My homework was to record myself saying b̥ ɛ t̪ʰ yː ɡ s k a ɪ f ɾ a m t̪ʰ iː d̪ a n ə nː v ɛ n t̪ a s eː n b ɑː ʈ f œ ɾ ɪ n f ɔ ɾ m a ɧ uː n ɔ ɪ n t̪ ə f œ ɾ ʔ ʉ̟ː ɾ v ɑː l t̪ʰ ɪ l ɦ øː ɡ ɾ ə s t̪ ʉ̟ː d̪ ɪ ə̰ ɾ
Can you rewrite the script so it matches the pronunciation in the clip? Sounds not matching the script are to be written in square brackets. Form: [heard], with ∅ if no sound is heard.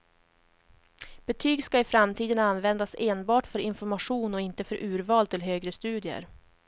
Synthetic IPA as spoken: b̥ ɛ t̪ʰ yː ɡ s k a ɪ f ɾ a m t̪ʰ iː d̪ [ə] n [a] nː v ɛ n [d̪] a s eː n b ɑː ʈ f œ ɾ ɪ n f ɔ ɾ m a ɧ uː n ɔ ɪ n t̪ ə f œ ɾ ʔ ʉ̟ː ɾ v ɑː l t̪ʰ ɪ l ɦ øː ɡ ɾ ə s t̪ ʉ̟ː d̪ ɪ ə̰ ɾ